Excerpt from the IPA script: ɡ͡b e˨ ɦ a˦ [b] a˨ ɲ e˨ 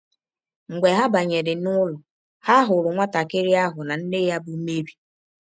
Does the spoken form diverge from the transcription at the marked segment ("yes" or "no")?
no